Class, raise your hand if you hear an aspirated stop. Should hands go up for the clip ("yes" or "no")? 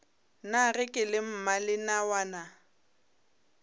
no